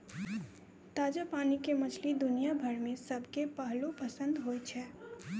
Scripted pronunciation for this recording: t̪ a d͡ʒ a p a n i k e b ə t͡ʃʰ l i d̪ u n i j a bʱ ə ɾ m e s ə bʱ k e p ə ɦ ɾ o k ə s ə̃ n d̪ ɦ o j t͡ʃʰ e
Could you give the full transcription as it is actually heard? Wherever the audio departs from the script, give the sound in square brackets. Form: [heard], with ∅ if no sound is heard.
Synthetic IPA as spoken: t̪ a d͡ʒ a p a n i k e [m] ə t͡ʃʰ l i d̪ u n i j a bʱ ə ɾ m e s ə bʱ k e p ə ɦ [l] o [p] ə s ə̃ n d̪ ɦ o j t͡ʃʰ [ɛ]